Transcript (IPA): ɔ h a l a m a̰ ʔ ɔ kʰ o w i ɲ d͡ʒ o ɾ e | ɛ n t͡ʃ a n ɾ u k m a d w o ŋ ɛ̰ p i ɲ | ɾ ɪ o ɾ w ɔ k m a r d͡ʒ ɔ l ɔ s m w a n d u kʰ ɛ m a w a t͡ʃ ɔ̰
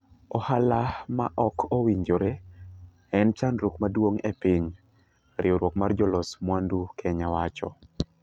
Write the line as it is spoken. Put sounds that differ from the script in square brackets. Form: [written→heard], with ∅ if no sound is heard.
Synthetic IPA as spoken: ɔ h a l a m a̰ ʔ ɔ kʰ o w i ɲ d͡ʒ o ɾ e | ɛ n t͡ʃ a n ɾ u k m a d w o ŋ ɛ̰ p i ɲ | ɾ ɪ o ɾ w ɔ k m a r d͡ʒ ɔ l ɔ s m w a n d u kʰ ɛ [m→ɲ] a w a t͡ʃ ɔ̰